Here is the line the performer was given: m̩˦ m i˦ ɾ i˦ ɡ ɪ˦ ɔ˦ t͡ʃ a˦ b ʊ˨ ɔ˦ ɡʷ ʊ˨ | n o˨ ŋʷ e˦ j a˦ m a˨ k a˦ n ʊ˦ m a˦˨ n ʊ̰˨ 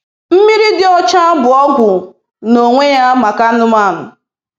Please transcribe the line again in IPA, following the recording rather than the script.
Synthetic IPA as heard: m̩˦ m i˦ ɾ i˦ d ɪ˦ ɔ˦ t͡ʃ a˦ b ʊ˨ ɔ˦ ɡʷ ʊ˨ | n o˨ ŋʷ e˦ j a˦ m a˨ k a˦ n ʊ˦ m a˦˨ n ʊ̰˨